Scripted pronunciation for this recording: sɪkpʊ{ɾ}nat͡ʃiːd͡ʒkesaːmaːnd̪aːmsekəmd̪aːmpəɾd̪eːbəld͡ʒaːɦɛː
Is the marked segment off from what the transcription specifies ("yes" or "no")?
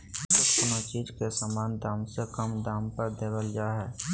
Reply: yes